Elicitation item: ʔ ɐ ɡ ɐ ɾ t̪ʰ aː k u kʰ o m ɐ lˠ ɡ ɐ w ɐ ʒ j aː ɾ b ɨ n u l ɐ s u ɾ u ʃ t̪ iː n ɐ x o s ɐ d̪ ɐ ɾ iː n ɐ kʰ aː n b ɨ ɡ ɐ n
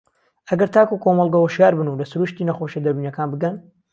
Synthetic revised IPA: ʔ ɐ ɡ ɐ ɾ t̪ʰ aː k u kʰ o m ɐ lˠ ɡ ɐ w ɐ ʃ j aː ɾ b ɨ n u l ɐ s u ɾ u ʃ t̪ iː n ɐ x o ʃ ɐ d̪ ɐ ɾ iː n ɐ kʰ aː n b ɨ ɡ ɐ n